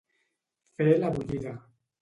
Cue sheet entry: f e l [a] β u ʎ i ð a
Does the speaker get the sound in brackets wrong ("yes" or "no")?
no